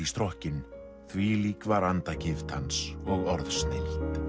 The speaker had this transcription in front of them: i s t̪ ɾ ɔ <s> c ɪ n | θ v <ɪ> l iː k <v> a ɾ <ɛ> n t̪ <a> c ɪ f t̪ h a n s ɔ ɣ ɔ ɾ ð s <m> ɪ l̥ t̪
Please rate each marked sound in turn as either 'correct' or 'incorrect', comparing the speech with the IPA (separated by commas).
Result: incorrect, incorrect, correct, incorrect, correct, incorrect